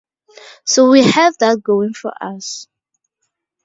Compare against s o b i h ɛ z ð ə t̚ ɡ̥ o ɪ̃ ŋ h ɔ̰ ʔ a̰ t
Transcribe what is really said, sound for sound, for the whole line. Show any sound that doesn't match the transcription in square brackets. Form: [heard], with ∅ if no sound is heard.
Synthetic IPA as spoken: s o [w] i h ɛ [v] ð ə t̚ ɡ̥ o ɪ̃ ŋ [f] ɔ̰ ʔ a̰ [s]